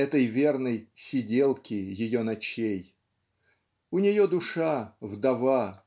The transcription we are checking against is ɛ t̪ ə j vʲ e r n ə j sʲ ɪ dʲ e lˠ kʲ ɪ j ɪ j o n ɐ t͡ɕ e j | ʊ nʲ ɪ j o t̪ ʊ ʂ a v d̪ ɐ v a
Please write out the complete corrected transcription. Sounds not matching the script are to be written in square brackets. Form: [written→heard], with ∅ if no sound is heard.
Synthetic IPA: ɛ t̪ ə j vʲ e r n ə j sʲ ɪ dʲ e lˠ kʲ ɪ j ɪ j o n ɐ t͡ɕ e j | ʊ nʲ ɪ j o [t̪→d̪] ʊ ʂ a v d̪ ɐ v a